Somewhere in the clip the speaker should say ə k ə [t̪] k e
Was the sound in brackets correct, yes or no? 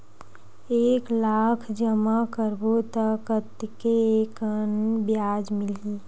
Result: yes